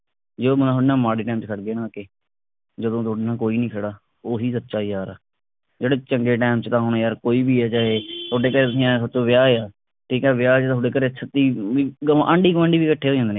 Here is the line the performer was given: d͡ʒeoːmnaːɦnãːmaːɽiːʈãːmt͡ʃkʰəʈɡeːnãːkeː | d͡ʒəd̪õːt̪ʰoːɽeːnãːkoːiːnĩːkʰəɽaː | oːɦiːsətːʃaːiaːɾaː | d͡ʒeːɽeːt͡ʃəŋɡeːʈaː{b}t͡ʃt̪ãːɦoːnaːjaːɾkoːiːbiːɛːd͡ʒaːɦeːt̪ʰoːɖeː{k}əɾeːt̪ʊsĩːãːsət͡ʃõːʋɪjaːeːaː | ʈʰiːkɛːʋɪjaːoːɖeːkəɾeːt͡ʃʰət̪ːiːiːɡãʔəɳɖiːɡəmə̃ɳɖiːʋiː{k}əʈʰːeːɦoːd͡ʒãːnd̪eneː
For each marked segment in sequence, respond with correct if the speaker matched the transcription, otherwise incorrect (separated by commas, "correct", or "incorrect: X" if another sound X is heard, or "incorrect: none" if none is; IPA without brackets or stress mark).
incorrect: m, correct, correct